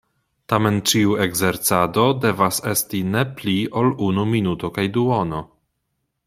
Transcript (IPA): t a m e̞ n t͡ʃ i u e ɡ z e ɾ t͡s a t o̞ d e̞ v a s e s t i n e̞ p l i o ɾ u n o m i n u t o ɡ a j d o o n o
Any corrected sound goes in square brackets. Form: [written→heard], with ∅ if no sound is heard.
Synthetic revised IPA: t a m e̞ n t͡ʃ i u e ɡ z e ɾ t͡s a [t→d] o̞ d e̞ v a s e s t i n e̞ p l i o [ɾ→l] u n [o→u] m i n u t o [ɡ→k] a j d [o→u] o n o